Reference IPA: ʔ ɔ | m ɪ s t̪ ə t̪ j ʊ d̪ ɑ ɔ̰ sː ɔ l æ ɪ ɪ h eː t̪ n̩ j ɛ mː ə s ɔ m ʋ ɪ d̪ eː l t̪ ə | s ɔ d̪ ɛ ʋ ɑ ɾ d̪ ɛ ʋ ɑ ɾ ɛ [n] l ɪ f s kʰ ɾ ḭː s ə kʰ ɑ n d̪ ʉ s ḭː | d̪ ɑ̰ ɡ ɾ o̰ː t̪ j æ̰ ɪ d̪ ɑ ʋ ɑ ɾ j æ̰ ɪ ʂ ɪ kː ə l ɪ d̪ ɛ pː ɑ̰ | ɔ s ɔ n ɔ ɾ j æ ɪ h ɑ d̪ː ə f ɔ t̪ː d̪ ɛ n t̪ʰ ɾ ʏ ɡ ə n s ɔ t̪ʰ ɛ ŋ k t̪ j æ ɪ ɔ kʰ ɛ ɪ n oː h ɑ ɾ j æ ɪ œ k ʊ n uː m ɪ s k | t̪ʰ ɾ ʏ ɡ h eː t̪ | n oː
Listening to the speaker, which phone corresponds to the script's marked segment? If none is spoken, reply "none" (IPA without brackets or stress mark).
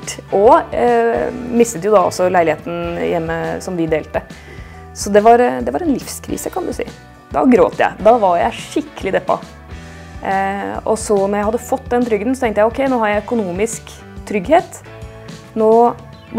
n